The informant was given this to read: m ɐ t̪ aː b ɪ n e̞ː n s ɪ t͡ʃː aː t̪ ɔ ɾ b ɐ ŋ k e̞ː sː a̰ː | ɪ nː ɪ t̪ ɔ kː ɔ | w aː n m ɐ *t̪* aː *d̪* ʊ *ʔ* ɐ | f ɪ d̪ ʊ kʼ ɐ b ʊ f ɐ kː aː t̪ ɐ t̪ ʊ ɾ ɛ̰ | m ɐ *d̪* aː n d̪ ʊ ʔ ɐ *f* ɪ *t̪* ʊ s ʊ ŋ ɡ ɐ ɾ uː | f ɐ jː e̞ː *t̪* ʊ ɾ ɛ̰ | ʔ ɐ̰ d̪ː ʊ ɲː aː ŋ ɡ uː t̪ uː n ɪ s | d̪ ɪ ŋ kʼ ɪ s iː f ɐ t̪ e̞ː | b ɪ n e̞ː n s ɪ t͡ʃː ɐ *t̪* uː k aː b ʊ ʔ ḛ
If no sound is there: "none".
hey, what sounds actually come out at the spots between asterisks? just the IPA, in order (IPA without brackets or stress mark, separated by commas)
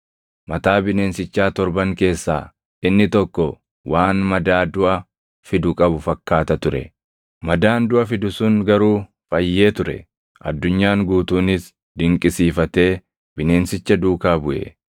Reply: d̪, d̪, ʔ, d̪, f, d̪, t̪, d̪